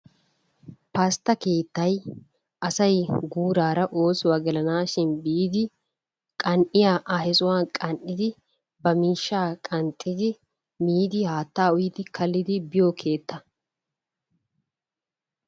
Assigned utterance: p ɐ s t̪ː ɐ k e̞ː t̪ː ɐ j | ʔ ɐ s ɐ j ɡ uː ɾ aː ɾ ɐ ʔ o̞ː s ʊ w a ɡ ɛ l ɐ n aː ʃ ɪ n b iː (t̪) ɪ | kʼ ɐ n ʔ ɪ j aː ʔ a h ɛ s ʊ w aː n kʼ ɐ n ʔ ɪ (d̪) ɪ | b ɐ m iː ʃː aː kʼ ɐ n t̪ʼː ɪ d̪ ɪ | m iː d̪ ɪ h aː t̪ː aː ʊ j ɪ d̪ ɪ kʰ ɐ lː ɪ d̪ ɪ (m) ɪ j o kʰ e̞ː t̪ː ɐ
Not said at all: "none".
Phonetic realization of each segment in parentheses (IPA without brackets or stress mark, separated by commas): d̪, d̪, b